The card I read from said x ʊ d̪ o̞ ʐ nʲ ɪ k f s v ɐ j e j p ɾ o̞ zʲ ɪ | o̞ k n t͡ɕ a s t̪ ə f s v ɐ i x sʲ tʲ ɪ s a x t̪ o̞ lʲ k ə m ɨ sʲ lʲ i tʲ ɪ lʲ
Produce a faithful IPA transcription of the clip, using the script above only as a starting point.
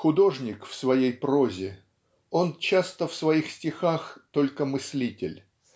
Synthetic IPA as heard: x ʊ d̪ o̞ ʐ nʲ ɪ k f s v ɐ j e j p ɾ o̞ zʲ ɪ | o̞ n t͡ɕ a s t̪ ə f s v ɐ i x sʲ tʲ ɪ x a x t̪ o̞ lʲ k ə m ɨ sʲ lʲ i tʲ ɪ lʲ